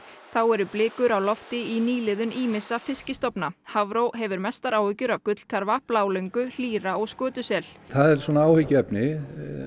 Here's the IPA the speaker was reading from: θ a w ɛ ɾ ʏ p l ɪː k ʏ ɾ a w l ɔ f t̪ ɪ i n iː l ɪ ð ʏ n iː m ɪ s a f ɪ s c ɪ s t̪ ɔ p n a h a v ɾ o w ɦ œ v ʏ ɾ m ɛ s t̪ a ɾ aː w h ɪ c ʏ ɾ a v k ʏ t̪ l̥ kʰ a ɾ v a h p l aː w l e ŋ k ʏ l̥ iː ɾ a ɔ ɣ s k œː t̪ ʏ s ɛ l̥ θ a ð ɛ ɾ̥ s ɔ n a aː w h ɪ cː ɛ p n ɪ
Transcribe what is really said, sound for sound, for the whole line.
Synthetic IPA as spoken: θ a w ɛ ɾ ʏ p l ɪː k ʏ ɾ a w l ɔ f t̪ ɪ i n iː l ɪ ð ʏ n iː m ɪ s a f ɪ s c ɪ s t̪ ɔ p n a h a v ɾ o w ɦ ɛ v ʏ ɾ m ɛ s t̪ a ɾ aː w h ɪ c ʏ ɾ a v k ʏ t̪ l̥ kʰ a ɾ v a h p l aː w l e ŋ k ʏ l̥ iː ɾ a ɔ ɣ s k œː t̪ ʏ s ɛ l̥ θ a ð ɛ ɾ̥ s ɔ n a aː w h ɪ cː ɛ p n ɪ